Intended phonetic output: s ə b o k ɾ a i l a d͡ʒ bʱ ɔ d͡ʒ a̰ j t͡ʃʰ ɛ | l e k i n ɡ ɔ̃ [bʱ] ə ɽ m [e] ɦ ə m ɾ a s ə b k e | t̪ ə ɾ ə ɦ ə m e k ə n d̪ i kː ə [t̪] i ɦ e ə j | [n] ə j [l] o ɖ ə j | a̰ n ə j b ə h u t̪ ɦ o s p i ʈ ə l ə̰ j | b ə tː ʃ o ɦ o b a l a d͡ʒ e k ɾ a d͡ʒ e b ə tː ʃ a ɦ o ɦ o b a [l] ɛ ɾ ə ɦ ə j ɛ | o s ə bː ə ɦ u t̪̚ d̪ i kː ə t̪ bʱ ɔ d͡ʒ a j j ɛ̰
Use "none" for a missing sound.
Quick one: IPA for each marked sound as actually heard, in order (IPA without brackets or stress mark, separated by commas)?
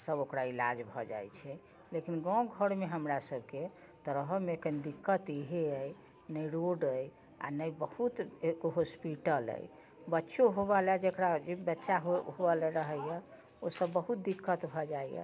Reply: ɡʱ, e, t̪, n, ɾ, l